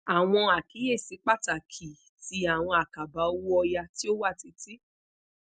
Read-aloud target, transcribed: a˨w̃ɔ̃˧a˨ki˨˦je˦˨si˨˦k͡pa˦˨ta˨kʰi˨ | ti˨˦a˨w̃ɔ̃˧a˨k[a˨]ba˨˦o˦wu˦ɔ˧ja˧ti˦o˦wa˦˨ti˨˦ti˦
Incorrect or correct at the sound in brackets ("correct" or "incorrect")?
correct